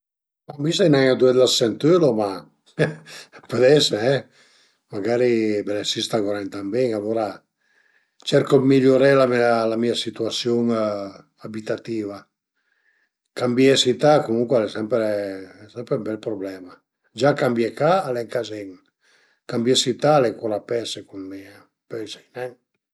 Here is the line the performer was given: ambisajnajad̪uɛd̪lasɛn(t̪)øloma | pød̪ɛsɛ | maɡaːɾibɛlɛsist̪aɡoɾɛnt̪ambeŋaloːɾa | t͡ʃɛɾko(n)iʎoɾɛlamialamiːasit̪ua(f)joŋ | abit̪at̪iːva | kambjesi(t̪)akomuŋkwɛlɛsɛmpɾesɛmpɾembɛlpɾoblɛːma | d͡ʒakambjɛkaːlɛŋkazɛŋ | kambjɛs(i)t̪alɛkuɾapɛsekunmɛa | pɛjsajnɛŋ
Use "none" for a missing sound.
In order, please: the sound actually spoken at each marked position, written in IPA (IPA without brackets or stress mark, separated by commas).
t̪, m, s, t̪, i